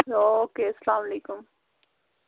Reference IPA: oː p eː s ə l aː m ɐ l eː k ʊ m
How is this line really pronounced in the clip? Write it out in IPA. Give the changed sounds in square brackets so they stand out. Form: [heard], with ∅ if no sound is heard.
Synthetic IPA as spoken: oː [k] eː s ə l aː m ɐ l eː k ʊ m